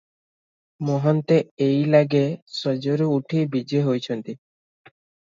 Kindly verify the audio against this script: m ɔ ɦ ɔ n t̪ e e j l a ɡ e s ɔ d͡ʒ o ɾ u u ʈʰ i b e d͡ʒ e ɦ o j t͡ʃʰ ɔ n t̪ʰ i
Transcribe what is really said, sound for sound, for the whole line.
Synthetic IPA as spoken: m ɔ ɦ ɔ n t̪ e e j l a ɡ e s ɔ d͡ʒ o ɾ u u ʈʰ i b i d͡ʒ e ɦ o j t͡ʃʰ ɔ n t̪ i